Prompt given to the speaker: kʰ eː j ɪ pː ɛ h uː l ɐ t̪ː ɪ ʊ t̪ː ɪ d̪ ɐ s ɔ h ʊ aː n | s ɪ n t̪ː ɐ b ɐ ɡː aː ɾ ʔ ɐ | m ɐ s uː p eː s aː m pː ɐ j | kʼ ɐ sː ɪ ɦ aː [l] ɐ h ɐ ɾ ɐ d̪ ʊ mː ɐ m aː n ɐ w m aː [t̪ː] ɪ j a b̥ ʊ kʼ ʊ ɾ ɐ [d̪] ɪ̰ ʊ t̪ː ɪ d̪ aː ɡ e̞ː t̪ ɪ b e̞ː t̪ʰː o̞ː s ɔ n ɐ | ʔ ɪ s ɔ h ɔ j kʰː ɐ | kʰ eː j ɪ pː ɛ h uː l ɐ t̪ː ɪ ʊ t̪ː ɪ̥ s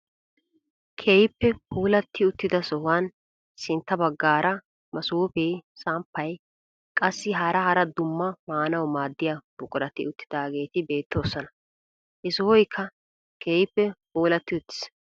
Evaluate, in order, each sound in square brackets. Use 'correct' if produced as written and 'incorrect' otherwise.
incorrect, incorrect, incorrect

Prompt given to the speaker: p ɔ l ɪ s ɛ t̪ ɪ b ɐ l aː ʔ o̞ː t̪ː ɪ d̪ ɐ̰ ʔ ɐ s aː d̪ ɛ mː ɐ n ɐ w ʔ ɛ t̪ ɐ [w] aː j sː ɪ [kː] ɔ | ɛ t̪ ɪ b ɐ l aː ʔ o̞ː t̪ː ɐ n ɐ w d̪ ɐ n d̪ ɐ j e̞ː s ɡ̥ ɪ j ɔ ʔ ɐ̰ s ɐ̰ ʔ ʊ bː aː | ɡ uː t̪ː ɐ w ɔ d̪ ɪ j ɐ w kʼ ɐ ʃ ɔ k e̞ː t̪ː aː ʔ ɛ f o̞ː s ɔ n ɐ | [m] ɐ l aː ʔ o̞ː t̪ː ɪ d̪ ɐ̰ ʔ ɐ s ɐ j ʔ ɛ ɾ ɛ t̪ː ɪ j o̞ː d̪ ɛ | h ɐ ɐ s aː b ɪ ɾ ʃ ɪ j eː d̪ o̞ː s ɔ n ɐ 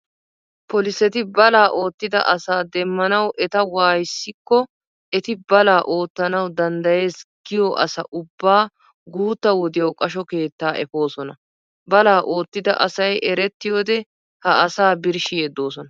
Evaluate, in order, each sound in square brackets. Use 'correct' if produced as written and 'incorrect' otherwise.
correct, correct, incorrect

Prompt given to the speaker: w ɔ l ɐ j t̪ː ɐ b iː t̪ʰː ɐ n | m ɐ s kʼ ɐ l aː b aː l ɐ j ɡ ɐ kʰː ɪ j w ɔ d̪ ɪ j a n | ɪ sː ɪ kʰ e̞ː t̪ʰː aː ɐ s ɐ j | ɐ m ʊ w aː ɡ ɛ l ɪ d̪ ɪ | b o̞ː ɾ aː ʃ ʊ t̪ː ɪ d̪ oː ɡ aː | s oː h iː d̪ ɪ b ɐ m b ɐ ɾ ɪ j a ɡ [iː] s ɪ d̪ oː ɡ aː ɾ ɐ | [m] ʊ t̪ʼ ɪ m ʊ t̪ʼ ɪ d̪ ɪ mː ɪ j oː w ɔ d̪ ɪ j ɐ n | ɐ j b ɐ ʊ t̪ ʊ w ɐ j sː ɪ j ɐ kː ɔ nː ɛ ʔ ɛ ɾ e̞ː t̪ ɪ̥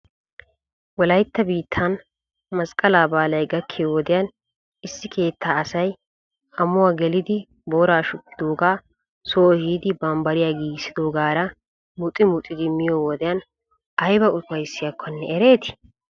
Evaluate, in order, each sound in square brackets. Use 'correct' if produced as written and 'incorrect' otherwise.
correct, correct

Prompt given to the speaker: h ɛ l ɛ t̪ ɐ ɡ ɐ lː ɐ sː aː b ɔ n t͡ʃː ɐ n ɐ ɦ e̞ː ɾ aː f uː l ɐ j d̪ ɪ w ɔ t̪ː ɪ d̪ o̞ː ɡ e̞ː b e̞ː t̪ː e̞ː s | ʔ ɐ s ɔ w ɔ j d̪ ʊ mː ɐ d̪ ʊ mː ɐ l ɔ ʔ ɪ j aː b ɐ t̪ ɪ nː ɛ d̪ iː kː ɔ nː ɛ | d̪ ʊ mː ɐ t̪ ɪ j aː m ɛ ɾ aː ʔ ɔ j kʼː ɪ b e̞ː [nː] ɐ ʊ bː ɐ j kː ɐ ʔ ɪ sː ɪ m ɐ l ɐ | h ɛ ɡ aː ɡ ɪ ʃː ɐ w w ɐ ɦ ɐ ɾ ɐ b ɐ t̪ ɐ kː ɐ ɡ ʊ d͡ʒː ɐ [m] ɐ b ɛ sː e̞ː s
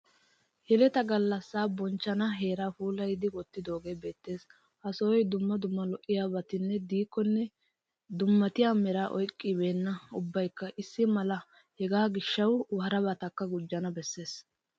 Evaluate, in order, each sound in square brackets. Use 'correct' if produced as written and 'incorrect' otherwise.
correct, incorrect

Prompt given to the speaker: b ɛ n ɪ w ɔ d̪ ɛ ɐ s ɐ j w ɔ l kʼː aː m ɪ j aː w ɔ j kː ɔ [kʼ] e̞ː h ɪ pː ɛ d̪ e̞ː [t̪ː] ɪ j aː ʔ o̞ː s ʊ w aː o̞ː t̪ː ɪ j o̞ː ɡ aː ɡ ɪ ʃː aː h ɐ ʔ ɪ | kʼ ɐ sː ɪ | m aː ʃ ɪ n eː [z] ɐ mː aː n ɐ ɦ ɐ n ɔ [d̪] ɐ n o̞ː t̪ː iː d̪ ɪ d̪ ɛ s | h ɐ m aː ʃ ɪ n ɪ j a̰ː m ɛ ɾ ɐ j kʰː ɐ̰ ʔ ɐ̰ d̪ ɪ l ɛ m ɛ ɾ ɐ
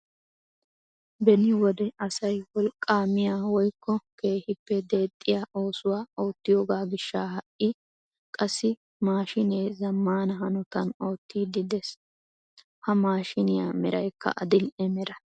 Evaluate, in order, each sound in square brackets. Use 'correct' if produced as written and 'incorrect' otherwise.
incorrect, incorrect, correct, incorrect

